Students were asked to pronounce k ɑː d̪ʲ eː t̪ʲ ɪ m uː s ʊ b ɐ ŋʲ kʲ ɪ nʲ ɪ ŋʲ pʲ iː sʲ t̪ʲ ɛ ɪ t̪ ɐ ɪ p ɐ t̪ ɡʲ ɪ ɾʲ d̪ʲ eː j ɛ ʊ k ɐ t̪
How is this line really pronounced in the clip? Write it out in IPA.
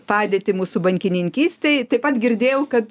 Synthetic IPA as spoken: p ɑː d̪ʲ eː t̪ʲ ɪ m uː s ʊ b ɐ ŋʲ kʲ ɪ nʲ ɪ ŋʲ kʲ iː sʲ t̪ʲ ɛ ɪ t̪ ɐ ɪ p ɐ t̪ ɡʲ ɪ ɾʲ d̪ʲ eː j ɛ ʊ k ɐ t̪